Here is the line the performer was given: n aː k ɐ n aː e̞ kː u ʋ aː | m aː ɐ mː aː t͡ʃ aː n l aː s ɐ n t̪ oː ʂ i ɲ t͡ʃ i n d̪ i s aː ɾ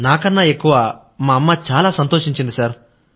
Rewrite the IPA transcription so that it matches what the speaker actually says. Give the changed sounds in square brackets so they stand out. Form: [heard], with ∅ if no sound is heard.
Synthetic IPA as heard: n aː k ɐ [nː] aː e̞ kː u ʋ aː | m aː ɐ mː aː t͡ʃ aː [∅] l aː s ɐ n t̪ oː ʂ i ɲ t͡ʃ i n d̪ i s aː ɾ